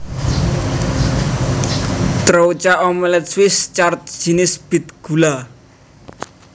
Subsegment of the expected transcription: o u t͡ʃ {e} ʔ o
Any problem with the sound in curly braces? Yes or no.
yes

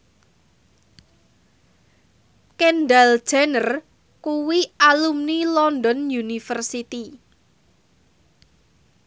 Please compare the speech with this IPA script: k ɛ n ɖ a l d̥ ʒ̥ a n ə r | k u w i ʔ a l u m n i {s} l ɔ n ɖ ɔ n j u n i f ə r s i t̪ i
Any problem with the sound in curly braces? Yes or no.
yes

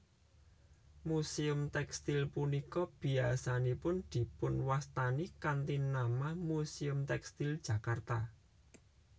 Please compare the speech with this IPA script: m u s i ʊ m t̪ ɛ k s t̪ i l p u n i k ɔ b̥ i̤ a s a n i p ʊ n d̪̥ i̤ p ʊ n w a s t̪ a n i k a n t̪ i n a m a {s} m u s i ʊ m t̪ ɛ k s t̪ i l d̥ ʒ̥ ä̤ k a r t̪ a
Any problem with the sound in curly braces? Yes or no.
yes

